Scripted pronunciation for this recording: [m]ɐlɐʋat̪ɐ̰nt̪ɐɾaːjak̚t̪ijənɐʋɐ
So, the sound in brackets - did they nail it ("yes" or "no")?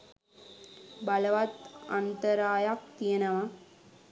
no